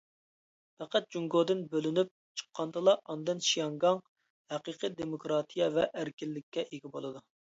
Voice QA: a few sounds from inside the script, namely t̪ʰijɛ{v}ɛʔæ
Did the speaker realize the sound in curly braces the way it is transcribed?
yes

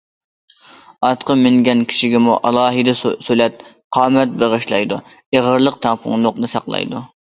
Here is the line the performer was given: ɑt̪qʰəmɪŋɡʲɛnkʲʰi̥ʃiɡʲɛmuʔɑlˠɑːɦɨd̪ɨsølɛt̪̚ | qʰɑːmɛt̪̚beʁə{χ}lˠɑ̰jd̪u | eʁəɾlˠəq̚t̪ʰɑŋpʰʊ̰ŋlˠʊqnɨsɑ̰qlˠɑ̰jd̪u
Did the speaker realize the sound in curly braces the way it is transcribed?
no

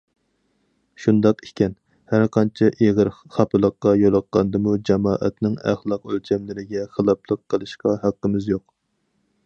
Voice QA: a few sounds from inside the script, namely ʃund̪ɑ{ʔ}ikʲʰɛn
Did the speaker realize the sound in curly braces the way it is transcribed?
no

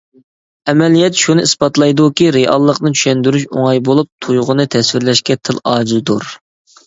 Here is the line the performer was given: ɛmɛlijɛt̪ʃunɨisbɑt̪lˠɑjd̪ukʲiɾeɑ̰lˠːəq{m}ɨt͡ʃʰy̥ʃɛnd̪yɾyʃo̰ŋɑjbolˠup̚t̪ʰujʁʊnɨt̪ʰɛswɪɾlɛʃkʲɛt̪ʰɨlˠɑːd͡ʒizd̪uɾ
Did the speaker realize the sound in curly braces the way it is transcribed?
no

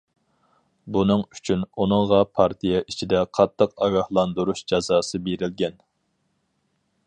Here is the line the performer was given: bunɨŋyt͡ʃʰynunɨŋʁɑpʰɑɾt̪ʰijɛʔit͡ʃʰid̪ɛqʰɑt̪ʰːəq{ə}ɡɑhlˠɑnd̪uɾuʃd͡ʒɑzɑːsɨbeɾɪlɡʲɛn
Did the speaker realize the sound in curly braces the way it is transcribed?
no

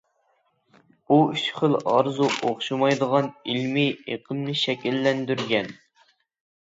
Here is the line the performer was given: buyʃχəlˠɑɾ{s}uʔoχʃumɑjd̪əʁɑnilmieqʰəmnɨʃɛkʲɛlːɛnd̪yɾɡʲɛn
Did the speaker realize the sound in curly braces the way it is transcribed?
no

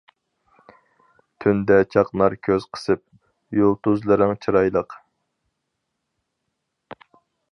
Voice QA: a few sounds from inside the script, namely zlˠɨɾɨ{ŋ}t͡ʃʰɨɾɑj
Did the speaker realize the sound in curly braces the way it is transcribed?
yes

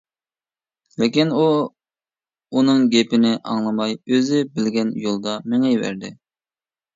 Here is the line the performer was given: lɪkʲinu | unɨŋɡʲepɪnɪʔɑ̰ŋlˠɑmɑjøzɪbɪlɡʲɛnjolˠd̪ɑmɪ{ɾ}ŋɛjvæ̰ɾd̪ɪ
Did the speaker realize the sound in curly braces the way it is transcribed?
no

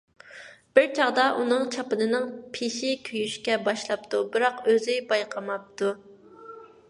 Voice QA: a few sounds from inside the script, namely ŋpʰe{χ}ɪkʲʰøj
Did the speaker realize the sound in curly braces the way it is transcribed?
no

